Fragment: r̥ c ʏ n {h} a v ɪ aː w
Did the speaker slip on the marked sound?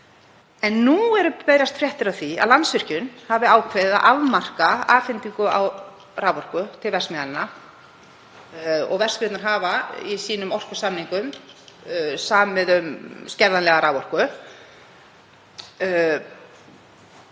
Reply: no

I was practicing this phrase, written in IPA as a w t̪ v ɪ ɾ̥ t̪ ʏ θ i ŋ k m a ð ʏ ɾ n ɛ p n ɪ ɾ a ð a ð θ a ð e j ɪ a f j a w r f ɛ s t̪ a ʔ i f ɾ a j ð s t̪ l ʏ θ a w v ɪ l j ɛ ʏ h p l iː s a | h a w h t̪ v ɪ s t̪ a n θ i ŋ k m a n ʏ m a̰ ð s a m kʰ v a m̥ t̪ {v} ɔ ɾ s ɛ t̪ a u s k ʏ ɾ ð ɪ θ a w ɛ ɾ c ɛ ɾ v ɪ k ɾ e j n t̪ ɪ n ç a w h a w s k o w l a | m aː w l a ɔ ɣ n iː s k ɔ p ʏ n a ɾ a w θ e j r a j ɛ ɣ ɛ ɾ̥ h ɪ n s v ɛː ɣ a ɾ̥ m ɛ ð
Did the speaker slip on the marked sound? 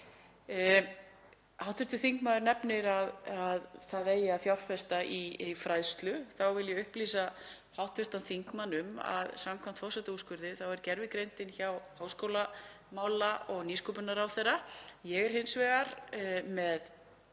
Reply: yes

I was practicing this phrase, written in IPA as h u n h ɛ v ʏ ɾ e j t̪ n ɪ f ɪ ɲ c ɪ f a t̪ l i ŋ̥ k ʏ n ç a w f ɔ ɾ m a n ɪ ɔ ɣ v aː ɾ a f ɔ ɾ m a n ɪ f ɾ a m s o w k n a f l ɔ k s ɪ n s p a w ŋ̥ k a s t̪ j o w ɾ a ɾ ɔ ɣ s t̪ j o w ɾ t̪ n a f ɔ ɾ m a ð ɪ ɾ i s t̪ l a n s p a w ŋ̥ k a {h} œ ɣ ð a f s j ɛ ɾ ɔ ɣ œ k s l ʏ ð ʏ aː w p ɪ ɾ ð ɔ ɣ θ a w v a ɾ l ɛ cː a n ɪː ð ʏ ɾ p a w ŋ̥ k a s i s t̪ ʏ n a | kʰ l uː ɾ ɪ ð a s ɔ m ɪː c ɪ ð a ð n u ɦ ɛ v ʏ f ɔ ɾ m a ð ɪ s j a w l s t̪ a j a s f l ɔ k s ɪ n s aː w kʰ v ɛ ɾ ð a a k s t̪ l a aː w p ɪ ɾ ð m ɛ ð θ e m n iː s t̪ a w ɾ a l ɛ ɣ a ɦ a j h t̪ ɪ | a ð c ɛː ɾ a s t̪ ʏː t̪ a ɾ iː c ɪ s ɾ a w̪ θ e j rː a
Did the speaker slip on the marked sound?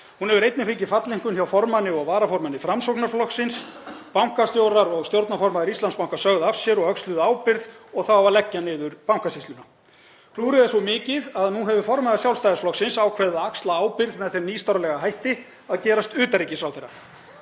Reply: yes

